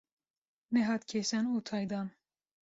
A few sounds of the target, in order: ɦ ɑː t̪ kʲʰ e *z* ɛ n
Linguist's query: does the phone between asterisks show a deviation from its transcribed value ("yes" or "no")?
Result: yes